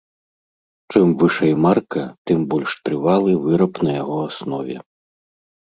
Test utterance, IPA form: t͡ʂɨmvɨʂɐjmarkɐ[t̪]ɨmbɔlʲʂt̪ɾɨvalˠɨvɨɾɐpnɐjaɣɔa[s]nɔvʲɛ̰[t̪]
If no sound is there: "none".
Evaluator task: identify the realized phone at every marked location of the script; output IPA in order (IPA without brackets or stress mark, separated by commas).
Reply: t̪, s, none